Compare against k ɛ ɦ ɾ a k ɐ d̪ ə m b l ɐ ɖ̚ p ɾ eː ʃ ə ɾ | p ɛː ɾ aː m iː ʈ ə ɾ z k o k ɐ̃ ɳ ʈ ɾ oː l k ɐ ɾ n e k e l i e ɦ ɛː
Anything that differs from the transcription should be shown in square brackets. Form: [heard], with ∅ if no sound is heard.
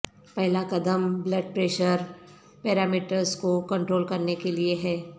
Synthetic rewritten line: [p] ɛ ɦ [l] a k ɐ d̪ ə m b l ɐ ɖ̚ p ɾ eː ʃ ə ɾ | p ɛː ɾ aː m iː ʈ ə ɾ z k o k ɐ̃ ɳ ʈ ɾ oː l k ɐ ɾ n e k e l i e ɦ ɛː